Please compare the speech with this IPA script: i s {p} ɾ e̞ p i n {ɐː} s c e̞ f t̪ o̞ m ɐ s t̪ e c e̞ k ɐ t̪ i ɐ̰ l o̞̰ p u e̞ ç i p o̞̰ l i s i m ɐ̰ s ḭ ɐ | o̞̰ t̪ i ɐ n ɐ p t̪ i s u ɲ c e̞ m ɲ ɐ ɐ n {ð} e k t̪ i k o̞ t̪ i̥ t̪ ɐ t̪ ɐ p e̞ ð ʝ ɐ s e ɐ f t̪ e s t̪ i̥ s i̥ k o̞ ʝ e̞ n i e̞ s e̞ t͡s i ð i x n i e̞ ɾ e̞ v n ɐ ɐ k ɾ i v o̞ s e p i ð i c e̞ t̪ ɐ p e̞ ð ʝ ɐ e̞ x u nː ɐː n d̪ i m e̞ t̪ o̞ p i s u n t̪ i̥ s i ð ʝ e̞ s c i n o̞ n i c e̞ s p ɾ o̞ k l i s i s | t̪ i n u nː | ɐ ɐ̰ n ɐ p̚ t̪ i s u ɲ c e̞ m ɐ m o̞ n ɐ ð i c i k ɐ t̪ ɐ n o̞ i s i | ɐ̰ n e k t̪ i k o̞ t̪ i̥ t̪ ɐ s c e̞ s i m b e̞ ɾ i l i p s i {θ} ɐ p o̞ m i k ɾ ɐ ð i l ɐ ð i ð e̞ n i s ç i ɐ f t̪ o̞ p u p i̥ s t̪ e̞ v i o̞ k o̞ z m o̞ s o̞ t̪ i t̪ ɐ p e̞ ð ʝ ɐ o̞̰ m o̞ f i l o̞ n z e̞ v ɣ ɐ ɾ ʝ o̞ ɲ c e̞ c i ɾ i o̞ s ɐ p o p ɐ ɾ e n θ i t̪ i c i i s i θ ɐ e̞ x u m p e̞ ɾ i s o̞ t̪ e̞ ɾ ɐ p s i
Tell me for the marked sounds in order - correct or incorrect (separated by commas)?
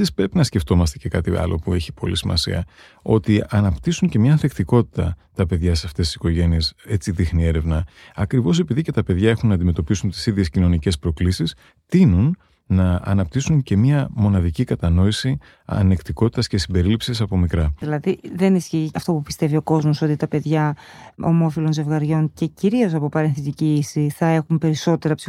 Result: correct, incorrect, incorrect, incorrect